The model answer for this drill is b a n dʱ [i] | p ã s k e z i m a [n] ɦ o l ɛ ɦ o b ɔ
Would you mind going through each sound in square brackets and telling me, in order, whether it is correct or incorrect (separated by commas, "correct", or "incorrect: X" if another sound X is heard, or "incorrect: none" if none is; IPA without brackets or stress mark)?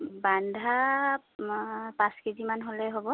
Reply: incorrect: a, correct